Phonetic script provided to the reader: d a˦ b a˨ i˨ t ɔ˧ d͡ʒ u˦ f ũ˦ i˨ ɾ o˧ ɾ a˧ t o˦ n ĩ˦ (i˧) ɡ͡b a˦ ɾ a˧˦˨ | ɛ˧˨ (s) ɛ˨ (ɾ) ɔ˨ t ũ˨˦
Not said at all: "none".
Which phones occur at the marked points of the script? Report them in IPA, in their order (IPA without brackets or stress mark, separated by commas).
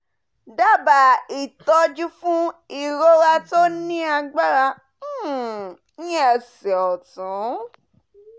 a˧, s, none